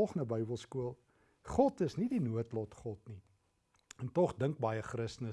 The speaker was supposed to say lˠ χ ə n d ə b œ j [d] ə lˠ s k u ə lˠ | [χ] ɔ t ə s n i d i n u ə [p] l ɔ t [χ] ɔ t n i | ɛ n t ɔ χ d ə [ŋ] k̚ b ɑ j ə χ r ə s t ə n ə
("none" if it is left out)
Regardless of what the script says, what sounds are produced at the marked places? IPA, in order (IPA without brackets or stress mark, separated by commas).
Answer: b, χ, t, χ, ŋ